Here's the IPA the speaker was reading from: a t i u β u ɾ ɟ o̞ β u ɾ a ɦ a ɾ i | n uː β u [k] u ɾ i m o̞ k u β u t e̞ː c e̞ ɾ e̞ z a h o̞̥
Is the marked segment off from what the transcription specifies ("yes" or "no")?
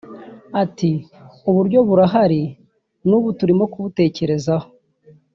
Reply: yes